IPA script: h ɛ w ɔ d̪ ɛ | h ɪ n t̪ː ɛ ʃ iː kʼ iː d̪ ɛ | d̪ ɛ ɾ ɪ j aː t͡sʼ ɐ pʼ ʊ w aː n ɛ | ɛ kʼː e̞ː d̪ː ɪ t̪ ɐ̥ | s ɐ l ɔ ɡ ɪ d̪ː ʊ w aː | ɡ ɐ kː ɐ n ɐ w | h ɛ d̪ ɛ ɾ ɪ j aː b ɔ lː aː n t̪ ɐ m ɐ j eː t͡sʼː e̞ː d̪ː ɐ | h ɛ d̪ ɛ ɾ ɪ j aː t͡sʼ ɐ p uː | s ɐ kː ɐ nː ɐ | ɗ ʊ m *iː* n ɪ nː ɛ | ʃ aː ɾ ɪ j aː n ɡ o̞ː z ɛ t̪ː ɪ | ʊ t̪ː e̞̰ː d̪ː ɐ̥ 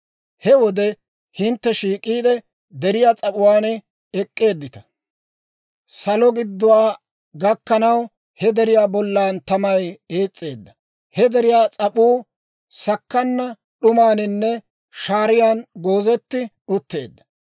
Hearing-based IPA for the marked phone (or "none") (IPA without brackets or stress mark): aː